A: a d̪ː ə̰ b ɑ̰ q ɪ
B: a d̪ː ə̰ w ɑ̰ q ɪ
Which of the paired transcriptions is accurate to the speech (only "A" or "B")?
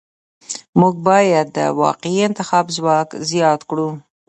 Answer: B